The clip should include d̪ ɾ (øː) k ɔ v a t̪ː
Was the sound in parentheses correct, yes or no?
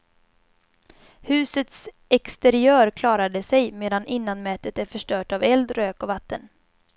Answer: yes